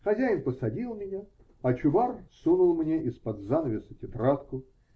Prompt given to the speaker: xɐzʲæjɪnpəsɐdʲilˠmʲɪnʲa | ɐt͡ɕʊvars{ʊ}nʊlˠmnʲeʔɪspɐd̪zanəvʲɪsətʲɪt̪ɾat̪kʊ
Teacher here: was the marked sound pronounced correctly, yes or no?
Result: no